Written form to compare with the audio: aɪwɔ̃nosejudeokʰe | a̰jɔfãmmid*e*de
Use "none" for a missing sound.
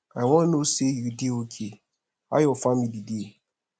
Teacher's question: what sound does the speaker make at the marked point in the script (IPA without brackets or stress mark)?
i